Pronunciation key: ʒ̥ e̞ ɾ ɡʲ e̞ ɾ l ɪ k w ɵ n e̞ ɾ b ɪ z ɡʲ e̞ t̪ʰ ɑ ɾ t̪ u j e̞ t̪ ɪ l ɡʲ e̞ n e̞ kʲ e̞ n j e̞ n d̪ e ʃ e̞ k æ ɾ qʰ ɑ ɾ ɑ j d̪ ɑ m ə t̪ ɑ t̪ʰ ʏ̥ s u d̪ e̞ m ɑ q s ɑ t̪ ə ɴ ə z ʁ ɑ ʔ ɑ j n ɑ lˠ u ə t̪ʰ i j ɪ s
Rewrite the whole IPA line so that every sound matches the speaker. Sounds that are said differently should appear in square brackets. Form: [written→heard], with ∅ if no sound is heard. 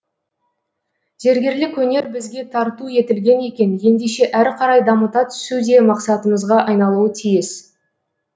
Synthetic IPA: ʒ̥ e̞ ɾ ɡʲ e̞ ɾ l ɪ k w ɵ n e̞ ɾ b ɪ z ɡʲ e̞ t̪ʰ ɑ ɾ t̪ u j e̞ t̪ ɪ l ɡʲ e̞ n e̞ kʲ e̞ n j e̞ n d̪ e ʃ e̞ [k→ʔ] æ ɾ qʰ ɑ ɾ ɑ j d̪ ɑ m ə t̪ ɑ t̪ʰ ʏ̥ s u d̪ e̞ m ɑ q s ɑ t̪ ə [ɴ→m] ə z ʁ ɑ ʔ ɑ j n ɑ lˠ u ə t̪ʰ i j ɪ s